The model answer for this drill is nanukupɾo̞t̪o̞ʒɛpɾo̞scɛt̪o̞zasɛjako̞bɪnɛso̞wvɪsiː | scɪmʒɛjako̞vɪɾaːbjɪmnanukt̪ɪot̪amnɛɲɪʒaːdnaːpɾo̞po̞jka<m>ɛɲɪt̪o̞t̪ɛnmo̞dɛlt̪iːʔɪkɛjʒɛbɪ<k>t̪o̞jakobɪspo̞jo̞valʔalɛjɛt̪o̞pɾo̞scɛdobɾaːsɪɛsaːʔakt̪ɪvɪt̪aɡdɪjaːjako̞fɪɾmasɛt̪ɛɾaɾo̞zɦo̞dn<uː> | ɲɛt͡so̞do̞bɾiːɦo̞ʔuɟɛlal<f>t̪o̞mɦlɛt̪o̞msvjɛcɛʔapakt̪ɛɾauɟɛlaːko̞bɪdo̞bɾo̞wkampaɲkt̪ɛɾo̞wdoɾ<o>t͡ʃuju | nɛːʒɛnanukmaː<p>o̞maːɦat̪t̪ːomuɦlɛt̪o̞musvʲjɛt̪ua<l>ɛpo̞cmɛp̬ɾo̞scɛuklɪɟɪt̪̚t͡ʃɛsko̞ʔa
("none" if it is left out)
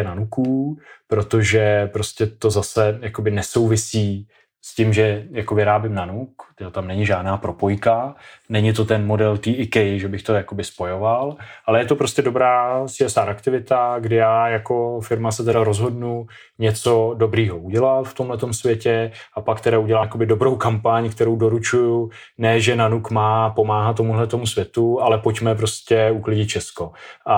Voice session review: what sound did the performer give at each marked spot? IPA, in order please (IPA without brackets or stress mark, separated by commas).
n, x, u, f, u, p, l